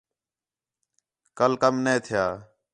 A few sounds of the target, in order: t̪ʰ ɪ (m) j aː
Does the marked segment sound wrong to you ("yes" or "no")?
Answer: yes